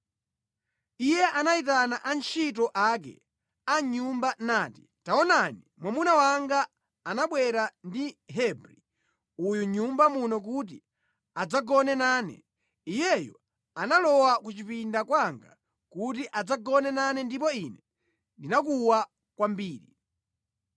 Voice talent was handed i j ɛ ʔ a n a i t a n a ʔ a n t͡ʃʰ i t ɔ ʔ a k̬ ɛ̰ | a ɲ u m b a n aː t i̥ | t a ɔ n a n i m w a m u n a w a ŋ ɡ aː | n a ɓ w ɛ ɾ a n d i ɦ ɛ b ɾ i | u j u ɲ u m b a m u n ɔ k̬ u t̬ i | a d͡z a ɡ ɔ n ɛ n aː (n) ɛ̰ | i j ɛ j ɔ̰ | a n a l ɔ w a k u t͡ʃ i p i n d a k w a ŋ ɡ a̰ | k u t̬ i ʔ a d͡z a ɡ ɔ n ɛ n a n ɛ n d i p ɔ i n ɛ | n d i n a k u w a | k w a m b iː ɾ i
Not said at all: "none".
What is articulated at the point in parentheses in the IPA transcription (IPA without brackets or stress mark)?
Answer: n